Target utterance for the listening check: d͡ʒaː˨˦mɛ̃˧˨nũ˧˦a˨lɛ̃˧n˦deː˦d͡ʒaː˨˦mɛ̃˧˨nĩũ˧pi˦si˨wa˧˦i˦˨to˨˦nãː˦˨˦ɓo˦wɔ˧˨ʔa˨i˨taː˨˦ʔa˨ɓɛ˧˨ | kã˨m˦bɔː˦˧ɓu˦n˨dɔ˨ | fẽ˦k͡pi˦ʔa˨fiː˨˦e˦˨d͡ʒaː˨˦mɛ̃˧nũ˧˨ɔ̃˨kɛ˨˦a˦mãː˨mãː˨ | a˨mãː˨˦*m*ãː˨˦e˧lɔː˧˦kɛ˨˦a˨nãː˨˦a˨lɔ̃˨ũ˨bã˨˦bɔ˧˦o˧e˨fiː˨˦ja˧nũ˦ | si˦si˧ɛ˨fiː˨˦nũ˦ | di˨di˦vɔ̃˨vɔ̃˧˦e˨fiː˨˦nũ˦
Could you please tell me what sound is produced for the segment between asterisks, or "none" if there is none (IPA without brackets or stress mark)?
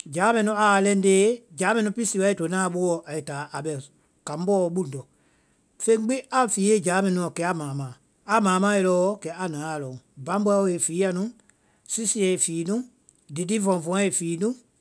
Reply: m